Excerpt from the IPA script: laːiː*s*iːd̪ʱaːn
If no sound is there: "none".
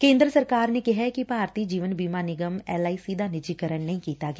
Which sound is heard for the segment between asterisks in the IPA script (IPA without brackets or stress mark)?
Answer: s